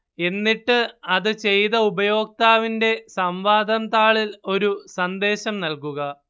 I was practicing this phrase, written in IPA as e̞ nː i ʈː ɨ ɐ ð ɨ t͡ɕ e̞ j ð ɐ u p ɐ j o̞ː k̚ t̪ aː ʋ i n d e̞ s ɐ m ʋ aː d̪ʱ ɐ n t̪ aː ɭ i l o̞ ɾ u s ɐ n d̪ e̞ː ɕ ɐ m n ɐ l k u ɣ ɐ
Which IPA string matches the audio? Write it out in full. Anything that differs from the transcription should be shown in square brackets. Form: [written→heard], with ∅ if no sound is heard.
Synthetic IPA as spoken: e̞ nː i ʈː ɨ ɐ ð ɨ t͡ɕ e̞ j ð ɐ u [p→b] ɐ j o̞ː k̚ t̪ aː ʋ i n d e̞ s ɐ m ʋ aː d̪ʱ ɐ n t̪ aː ɭ i l o̞ ɾ u s ɐ n d̪ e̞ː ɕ ɐ m n ɐ l k u ɣ ɐ

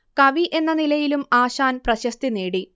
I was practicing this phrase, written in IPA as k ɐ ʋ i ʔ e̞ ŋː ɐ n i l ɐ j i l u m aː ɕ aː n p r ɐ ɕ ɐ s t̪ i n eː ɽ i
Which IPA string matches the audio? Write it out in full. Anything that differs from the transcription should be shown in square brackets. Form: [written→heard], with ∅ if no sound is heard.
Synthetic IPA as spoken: k ɐ ʋ i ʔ e̞ [ŋː→nː] ɐ n i l ɐ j i l u m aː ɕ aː n p r ɐ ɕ ɐ s t̪ i n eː ɽ i

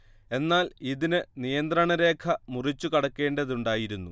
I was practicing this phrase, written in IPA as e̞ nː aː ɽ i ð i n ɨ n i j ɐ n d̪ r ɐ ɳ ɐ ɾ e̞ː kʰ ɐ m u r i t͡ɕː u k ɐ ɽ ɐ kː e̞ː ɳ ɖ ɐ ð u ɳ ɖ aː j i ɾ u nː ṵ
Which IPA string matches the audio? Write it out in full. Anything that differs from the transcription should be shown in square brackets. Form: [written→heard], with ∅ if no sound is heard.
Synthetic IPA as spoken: e̞ nː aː [ɽ→l] i ð i n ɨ n i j ɐ n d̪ r ɐ ɳ ɐ ɾ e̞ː kʰ ɐ m u r i t͡ɕː u k ɐ ɽ ɐ kː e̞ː ɳ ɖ ɐ ð u ɳ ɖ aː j i ɾ u nː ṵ

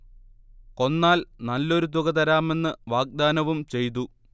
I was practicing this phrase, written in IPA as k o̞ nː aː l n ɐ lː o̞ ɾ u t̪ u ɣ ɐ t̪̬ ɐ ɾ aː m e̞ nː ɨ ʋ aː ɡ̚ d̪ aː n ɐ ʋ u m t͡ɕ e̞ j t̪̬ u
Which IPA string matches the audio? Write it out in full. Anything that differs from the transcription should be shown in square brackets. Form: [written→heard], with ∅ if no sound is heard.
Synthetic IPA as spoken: k o̞ nː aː l n ɐ lː o̞ ɾ u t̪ u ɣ ɐ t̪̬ ɐ ɾ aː m e̞ nː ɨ ʋ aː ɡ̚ d̪ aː n ɐ ʋ u m t͡ɕ e̞ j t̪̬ u

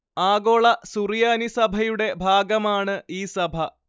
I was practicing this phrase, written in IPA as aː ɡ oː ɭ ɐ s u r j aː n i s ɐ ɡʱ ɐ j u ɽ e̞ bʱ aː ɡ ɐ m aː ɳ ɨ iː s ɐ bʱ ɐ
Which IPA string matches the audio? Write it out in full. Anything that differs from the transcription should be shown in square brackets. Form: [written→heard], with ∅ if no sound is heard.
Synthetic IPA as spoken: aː ɡ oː ɭ ɐ s u r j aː n i s ɐ [ɡʱ→bʱ] ɐ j u ɽ e̞ bʱ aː ɡ ɐ m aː ɳ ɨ iː s ɐ bʱ ɐ

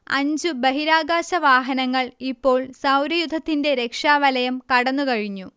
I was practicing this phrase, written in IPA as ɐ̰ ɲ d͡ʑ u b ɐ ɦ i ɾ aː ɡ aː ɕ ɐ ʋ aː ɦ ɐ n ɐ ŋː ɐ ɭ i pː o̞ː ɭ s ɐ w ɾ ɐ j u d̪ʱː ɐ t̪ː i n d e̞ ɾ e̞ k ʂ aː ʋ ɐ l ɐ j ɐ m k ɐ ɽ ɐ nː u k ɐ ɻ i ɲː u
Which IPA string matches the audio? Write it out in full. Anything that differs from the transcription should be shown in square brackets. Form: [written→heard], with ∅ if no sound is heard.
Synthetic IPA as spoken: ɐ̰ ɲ d͡ʑ u b ɐ ɦ i ɾ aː ɡ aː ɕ ɐ ʋ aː ɦ ɐ n ɐ ŋː ɐ ɭ i pː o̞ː ɭ s ɐ w ɾ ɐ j u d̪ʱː ɐ t̪ː i n d e̞ ɾ e̞ k ʂ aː ʋ ɐ l ɐ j ɐ m k ɐ ɽ ɐ nː u k ɐ ɻ i ɲː u

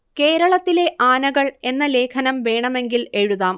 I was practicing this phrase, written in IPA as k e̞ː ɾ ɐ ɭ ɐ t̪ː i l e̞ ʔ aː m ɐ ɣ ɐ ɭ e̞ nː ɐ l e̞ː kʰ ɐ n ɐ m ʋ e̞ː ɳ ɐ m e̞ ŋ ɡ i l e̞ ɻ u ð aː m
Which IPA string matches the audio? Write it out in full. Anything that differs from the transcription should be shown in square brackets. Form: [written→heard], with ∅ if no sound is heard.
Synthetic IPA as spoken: k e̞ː ɾ ɐ ɭ ɐ t̪ː i l e̞ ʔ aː [m→n] ɐ ɣ ɐ ɭ e̞ nː ɐ l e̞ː kʰ ɐ n ɐ m ʋ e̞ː ɳ ɐ m e̞ ŋ ɡ i l e̞ ɻ u ð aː m

